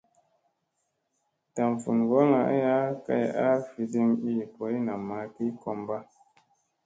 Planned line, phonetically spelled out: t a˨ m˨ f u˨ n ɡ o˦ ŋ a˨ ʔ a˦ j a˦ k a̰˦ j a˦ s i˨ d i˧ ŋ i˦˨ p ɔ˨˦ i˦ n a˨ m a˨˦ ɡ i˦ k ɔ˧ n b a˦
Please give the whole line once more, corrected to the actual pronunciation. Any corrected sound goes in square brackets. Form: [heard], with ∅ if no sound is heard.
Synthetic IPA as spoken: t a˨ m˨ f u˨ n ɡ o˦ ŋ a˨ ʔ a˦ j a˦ k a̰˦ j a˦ [f] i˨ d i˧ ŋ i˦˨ p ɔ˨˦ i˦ n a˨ m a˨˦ [k] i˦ k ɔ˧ [m] b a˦